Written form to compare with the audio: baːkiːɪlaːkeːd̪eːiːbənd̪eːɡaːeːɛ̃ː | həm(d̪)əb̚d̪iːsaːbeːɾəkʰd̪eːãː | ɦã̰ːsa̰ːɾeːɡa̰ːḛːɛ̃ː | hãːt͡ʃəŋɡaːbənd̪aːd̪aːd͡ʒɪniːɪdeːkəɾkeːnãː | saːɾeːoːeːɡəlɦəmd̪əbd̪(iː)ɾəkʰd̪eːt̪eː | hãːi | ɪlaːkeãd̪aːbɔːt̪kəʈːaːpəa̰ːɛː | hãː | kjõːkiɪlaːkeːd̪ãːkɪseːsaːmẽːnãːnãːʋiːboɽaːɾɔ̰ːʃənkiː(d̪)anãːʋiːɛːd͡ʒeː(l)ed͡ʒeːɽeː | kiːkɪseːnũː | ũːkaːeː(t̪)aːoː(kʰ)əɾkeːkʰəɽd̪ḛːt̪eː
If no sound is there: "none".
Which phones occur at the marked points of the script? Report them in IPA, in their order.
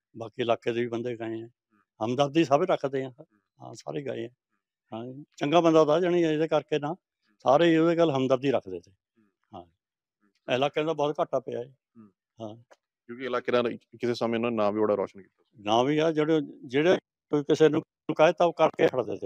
d̪, iː, t̪, ɽ, t̪, k

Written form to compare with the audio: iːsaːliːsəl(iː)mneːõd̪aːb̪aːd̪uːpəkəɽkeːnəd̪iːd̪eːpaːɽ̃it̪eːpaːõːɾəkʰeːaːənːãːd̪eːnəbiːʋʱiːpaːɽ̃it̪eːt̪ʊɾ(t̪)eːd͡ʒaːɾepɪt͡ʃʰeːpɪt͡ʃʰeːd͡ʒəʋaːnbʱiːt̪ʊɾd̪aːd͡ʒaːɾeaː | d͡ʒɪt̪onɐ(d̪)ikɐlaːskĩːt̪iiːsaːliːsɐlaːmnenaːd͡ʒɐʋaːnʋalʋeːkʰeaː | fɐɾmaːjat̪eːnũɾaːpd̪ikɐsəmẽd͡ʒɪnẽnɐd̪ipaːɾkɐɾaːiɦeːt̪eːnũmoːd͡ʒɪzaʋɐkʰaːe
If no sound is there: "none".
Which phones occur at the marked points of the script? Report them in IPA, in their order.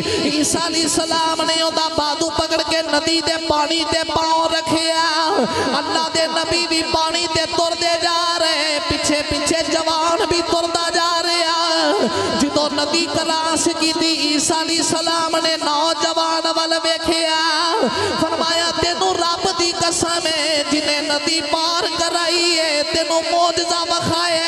aː, d̪, d̪

